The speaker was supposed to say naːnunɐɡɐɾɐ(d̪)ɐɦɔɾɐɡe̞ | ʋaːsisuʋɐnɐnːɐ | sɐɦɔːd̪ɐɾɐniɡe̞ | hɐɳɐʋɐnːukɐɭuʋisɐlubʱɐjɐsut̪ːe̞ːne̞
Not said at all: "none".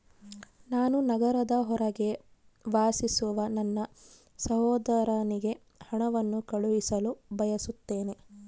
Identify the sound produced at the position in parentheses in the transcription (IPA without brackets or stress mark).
d̪